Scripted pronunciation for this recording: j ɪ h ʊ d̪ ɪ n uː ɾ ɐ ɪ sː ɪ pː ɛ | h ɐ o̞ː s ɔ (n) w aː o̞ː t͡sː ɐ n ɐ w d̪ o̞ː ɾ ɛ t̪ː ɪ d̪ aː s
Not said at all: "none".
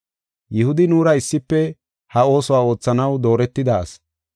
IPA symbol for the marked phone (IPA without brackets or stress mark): none